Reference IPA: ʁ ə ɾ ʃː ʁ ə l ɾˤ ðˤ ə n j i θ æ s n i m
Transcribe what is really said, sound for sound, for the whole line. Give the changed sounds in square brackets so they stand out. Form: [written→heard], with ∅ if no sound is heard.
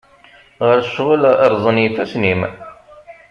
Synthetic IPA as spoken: ʁ ə ɾ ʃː ʁ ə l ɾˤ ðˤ ə n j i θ æ s n i m